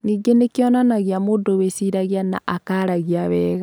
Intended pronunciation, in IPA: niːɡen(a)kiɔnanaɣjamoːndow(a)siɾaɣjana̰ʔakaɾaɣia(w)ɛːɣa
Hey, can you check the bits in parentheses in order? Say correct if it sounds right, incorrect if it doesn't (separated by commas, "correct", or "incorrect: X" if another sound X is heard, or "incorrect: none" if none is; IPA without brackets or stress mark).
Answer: incorrect: e, incorrect: e, incorrect: β